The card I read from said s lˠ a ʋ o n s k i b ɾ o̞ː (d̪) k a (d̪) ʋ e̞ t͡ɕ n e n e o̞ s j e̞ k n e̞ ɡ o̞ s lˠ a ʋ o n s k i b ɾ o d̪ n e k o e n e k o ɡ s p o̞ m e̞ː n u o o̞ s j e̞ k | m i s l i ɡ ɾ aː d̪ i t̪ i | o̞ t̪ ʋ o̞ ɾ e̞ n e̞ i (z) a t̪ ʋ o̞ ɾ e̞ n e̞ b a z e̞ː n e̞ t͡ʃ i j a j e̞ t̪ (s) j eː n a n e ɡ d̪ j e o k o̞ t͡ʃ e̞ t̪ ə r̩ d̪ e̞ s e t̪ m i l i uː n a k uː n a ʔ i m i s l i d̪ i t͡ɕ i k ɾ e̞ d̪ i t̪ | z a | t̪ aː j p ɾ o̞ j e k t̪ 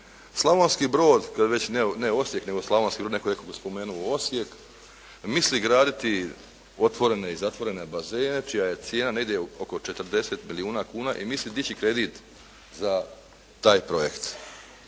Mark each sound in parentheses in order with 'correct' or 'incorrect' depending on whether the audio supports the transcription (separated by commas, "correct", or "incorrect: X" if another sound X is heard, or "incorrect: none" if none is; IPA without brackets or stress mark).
correct, correct, correct, correct